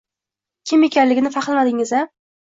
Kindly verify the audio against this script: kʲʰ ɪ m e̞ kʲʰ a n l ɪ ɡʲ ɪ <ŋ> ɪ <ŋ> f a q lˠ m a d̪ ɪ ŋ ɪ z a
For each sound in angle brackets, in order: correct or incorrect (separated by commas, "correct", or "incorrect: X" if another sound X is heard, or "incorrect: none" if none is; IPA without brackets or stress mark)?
incorrect: n, incorrect: none